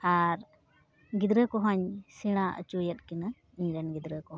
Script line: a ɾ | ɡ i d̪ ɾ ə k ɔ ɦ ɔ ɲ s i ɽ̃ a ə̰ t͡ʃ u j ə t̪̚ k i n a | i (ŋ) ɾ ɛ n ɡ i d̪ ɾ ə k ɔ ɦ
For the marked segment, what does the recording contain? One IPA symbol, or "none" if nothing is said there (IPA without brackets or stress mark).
ɲ